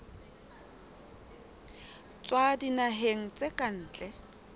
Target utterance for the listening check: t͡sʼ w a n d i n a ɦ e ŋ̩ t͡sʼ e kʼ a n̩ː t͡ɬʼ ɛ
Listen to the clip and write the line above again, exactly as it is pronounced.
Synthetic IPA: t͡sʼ w a d i n a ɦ e ŋ̩ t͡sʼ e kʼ a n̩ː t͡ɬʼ ɛ